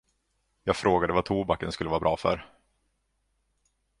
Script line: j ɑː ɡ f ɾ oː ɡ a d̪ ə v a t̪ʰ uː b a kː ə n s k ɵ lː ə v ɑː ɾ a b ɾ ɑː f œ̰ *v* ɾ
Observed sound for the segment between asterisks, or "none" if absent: none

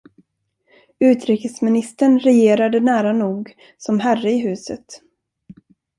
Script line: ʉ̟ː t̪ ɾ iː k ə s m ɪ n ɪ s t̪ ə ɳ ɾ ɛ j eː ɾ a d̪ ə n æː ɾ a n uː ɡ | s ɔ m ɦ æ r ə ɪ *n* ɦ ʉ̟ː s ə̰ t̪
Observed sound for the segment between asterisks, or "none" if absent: none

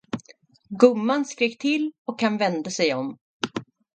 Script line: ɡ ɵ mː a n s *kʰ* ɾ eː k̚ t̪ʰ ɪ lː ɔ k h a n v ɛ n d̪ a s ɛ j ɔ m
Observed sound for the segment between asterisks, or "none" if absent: k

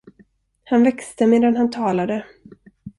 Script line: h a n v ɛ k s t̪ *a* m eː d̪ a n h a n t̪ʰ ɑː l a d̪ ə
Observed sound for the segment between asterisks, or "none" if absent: ə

